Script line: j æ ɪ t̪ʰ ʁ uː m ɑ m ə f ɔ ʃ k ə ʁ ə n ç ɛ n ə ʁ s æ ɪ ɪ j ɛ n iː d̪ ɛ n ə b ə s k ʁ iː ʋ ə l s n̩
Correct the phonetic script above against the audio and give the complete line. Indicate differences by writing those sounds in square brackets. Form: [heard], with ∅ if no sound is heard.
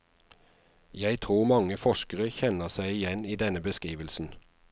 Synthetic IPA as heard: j æ ɪ t̪ʰ ʁ uː m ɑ [ŋ] ə f ɔ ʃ k ə ʁ ə [∅] ç ɛ n ə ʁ s æ ɪ ɪ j ɛ n iː d̪ ɛ n ə b ə s k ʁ iː ʋ ə l s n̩